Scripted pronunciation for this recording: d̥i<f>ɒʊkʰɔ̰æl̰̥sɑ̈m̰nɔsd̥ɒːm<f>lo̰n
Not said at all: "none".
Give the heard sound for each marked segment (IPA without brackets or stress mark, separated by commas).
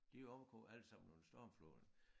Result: none, f